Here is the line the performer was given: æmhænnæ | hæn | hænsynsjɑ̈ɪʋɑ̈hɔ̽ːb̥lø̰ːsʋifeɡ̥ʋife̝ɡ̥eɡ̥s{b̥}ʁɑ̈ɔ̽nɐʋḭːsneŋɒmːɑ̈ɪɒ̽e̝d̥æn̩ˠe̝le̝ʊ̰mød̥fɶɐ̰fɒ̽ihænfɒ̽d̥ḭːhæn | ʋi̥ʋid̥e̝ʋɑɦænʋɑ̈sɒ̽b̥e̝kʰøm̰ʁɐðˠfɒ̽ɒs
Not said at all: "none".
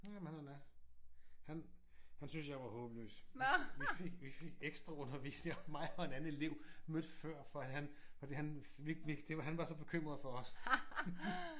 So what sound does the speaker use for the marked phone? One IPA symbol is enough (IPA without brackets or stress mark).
d̥